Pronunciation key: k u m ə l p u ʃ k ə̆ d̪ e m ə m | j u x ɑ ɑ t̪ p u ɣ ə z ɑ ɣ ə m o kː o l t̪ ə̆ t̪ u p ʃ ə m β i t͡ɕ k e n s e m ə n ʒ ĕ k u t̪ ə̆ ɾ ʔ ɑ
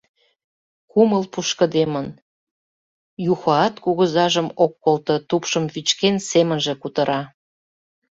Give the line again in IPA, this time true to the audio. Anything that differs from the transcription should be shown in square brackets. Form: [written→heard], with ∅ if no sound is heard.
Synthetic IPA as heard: k u m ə l p u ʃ k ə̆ d̪ e m ə [m→n] | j u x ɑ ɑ t̪ [p→k] u ɣ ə z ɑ [ɣ→ʒ] ə m o kː o l t̪ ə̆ t̪ u p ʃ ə m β i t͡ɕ k e n s e m ə n ʒ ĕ k u t̪ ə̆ ɾ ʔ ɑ